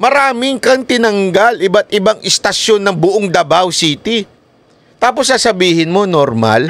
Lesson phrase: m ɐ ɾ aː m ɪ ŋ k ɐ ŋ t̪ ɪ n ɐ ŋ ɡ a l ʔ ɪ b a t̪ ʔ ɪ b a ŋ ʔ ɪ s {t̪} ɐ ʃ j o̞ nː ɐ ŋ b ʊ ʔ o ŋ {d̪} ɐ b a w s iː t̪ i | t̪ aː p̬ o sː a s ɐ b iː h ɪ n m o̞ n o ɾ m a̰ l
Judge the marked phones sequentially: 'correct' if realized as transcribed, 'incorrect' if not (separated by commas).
correct, correct